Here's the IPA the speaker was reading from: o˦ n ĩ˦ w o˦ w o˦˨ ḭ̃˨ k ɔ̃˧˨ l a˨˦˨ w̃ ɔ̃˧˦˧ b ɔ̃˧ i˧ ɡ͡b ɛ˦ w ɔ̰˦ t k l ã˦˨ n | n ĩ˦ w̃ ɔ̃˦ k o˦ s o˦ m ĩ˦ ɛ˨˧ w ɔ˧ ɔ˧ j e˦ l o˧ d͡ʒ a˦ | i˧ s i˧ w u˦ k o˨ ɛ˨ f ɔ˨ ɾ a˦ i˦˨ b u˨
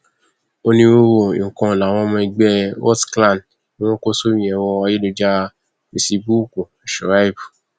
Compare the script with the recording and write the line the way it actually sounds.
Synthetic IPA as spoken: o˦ n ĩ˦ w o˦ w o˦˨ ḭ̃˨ k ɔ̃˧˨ l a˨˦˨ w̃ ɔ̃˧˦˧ m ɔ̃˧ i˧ ɡ͡b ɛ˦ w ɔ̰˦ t k l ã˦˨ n | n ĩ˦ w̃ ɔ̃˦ k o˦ s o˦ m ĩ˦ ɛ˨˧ w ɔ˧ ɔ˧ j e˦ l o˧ d͡ʒ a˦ | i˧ s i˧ b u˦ k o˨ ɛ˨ ʃ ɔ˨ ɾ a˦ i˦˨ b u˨

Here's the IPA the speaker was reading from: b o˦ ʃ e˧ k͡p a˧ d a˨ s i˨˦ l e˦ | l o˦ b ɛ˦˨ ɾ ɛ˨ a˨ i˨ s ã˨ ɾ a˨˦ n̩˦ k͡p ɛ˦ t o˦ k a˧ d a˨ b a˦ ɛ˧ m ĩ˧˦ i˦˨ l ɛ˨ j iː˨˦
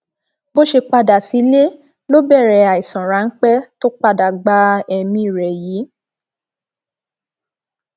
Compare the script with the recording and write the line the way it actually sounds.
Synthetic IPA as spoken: b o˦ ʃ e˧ k͡p a˧ d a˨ s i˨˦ l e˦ | l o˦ b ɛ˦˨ ɾ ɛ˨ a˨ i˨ s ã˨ ɾ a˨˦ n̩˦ k͡p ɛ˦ t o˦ k͡p a˧ d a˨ ɡ͡b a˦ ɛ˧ m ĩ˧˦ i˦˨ ɾ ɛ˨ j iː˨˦

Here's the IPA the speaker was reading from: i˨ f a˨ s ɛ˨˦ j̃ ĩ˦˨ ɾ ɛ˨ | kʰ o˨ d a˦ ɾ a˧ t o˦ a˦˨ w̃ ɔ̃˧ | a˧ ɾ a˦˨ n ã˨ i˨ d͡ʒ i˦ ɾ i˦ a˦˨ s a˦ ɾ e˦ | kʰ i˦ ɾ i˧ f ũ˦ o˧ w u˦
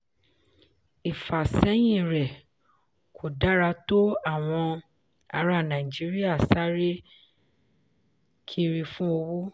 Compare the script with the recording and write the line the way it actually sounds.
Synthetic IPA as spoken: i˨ f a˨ s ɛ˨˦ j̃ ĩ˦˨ ɾ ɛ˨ | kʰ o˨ d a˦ ɾ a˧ t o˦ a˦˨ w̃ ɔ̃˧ | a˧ ɾ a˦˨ n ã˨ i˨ d͡ʒ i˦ ɾ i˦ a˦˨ s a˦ ɾ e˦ | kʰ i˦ ɾ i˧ f ũ˦ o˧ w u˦

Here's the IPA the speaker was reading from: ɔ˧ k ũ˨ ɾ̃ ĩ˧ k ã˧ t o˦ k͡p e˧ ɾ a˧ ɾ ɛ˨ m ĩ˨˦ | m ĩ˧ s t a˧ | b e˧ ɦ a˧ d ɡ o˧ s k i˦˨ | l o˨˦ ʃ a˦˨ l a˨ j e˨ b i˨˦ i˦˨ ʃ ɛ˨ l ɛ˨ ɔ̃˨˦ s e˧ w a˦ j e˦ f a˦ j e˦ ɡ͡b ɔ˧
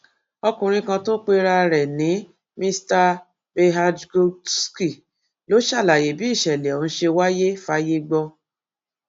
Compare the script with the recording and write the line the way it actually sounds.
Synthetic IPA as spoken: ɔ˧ k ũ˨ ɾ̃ ĩ˧ k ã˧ t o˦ k͡p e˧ ɾ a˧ ɾ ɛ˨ n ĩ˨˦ | m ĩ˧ s t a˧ | b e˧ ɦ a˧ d ɡ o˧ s k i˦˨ | l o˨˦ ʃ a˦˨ l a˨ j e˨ b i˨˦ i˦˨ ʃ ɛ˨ l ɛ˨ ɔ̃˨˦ ʃ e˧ w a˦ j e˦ f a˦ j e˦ ɡ͡b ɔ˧

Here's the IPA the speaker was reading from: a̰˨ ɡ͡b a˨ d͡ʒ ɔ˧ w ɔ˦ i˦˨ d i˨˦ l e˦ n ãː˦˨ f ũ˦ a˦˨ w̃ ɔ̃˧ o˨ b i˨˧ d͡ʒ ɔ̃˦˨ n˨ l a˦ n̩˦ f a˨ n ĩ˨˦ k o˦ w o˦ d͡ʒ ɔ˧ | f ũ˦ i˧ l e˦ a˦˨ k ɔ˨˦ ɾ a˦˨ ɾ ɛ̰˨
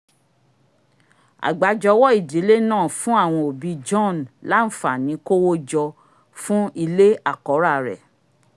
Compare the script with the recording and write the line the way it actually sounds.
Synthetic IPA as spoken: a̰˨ ɡ͡b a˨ d͡ʒ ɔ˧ w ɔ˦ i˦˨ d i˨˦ l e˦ n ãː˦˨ f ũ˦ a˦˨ w̃ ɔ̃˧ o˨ b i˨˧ d͡ʒ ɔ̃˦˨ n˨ l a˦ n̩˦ f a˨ n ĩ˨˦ k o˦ w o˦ d͡ʒ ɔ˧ | f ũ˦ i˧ l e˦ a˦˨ k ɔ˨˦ ɾ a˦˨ ɾ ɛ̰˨

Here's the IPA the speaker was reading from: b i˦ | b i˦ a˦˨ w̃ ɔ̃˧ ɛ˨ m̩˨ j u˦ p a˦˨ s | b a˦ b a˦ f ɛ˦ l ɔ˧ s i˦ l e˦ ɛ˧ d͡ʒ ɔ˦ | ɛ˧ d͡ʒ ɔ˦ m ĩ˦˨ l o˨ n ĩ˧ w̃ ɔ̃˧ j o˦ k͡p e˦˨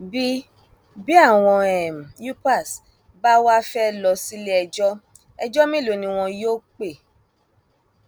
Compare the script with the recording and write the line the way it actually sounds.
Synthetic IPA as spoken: b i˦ | b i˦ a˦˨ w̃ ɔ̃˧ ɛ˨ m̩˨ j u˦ p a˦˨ s | b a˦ w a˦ f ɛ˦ l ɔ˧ s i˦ l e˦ ɛ˧ d͡ʒ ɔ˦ | ɛ˧ d͡ʒ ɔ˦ m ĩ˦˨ l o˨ n ĩ˧ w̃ ɔ̃˧ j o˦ k͡p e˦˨

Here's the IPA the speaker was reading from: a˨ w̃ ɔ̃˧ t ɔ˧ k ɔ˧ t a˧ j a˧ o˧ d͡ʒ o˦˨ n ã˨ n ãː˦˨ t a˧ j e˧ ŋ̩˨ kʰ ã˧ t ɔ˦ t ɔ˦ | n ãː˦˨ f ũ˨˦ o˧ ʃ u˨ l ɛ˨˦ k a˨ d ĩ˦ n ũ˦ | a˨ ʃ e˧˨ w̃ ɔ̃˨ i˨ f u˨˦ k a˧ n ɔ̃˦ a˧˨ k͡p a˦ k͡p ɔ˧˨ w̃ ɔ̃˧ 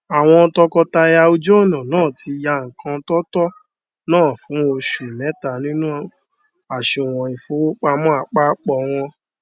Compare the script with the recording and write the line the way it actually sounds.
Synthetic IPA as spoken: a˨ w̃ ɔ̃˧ t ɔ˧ k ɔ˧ t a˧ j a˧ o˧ d͡ʒ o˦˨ n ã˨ n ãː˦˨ t i˧ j a˧ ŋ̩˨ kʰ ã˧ t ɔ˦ t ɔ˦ | n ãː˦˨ f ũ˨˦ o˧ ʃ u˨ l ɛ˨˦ t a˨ n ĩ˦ n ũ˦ | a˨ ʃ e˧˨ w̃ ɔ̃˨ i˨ f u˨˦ k͡p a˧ m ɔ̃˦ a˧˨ k͡p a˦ k͡p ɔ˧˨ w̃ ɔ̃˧

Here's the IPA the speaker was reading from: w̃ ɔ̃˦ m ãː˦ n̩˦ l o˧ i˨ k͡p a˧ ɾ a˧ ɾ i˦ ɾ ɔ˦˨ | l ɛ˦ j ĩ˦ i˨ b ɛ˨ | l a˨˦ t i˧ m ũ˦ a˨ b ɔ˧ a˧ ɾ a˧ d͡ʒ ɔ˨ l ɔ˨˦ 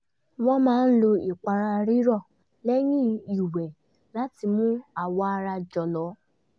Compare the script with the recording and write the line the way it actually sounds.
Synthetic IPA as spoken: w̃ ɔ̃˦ m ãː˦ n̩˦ l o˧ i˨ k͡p a˧ ɾ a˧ ɾ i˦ ɾ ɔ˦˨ | l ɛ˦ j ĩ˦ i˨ w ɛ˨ | l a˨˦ t i˧ m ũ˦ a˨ w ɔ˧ a˧ ɾ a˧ d͡ʒ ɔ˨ l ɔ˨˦

